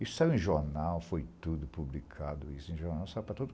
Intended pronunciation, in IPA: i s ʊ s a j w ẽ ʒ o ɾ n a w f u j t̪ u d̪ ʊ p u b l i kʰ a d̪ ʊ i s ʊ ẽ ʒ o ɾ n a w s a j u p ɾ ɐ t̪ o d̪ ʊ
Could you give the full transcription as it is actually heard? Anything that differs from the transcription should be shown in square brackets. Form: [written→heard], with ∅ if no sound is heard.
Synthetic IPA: i s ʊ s a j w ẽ ʒ o ɾ n a w f [u→o] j t̪ u d̪ ʊ p u b l i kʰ a d̪ ʊ i s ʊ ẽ ʒ o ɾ n a w s a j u p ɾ ɐ t̪ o d̪ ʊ